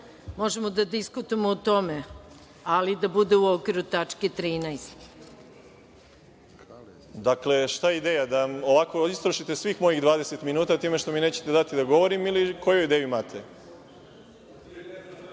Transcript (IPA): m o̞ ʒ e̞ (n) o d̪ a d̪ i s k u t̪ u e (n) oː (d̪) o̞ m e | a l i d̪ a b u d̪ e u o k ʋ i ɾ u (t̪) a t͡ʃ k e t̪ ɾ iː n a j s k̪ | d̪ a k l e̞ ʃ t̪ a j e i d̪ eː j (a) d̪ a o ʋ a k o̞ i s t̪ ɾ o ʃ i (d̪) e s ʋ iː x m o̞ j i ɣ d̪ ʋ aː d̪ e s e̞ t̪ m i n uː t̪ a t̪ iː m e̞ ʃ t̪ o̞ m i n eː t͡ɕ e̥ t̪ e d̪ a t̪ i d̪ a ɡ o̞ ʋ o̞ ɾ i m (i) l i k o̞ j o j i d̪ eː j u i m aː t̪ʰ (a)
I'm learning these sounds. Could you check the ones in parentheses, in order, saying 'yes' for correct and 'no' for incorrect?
no, no, no, yes, yes, no, yes, no

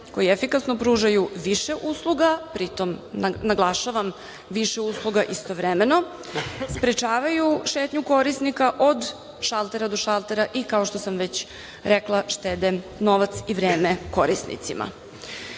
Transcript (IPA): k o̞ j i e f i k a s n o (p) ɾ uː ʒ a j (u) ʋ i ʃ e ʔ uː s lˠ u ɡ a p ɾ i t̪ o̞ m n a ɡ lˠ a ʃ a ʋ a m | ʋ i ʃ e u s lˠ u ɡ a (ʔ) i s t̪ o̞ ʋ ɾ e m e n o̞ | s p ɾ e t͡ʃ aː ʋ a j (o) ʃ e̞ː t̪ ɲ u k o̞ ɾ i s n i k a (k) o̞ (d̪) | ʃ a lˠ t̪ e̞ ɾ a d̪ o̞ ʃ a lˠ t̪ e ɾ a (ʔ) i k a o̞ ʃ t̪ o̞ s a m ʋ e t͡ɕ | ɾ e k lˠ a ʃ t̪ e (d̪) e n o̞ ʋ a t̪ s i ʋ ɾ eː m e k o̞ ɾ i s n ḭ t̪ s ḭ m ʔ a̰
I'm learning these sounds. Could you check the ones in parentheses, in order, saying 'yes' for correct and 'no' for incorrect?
yes, yes, yes, no, no, yes, yes, yes

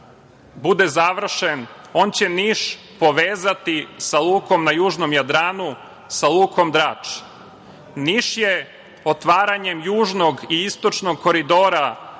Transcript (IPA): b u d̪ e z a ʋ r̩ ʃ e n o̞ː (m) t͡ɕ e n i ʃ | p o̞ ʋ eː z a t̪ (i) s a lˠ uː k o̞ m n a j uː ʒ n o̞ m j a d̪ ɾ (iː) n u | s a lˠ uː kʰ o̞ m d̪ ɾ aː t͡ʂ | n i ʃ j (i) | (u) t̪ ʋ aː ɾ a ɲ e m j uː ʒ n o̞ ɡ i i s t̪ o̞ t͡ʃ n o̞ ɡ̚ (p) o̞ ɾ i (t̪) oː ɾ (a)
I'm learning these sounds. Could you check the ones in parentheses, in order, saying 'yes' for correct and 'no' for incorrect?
no, yes, no, no, no, no, no, yes

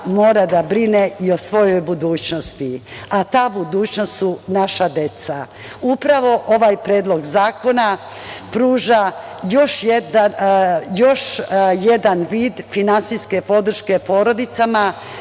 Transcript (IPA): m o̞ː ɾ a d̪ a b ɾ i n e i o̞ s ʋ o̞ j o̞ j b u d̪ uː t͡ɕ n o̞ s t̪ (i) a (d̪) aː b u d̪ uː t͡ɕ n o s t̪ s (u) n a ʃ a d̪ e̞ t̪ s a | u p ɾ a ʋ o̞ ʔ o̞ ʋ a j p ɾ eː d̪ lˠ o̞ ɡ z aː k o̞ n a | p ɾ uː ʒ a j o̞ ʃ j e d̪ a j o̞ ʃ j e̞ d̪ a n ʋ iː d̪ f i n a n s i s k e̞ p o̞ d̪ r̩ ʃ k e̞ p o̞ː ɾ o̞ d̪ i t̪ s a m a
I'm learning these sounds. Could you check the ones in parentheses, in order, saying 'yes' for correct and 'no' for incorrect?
yes, no, yes

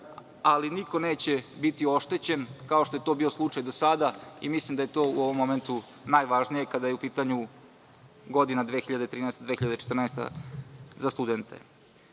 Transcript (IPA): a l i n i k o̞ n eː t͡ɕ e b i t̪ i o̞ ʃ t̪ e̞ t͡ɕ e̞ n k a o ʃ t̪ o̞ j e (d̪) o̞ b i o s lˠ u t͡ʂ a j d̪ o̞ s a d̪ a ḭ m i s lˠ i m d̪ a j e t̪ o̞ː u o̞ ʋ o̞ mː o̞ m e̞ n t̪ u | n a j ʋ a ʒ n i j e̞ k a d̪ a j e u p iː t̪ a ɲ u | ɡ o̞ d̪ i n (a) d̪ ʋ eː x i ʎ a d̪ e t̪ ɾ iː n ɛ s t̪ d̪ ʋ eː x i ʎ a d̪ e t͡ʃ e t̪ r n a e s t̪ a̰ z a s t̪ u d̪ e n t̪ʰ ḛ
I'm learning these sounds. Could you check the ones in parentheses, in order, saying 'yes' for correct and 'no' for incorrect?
no, yes

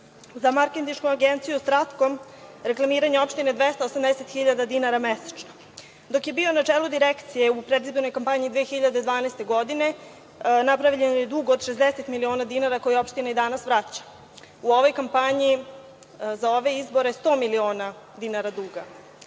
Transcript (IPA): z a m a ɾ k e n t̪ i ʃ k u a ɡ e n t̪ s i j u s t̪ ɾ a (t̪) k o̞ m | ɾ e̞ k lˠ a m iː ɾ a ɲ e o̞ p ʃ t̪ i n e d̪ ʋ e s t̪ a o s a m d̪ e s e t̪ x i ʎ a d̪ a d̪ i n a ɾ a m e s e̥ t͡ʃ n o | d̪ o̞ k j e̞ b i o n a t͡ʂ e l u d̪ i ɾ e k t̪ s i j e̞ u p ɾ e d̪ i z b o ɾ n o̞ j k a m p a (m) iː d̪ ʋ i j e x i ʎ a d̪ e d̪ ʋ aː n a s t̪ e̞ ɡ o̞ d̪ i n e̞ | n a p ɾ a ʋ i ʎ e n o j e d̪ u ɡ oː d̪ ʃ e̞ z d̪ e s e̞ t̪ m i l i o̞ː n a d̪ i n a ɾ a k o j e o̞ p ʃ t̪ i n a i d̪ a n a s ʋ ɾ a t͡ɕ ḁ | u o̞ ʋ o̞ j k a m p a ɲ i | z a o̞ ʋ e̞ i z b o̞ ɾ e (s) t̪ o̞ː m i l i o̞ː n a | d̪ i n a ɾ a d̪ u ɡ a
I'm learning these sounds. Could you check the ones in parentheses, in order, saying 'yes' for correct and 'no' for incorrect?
yes, no, yes

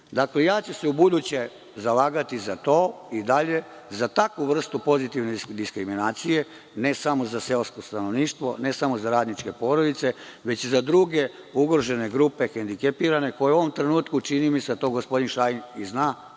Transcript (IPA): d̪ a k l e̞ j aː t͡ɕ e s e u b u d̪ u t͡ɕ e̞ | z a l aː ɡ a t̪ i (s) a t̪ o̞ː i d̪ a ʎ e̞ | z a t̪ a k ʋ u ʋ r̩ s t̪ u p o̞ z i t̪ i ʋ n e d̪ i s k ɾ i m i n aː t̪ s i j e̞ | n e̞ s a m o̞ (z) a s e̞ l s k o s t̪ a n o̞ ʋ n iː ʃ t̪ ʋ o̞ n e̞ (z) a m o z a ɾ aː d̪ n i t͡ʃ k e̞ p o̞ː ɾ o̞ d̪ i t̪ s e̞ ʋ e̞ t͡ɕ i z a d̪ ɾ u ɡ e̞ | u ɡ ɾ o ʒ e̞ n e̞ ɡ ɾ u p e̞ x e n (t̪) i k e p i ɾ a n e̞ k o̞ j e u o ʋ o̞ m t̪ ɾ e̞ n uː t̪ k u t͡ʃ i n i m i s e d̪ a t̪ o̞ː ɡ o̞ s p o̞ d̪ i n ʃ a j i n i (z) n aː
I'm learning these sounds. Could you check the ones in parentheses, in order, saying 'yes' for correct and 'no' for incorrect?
no, yes, no, no, yes

